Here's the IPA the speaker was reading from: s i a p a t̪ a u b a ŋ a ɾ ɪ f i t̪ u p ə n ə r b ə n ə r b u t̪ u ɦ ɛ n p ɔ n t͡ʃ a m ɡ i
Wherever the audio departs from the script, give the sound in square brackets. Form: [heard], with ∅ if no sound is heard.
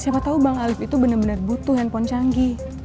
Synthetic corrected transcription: s i a p a t̪ a u b a ŋ a [l] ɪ f i t̪ u [b] ə n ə r b ə n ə r b u t̪ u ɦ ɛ n p ɔ n t͡ʃ a [ŋ] ɡ i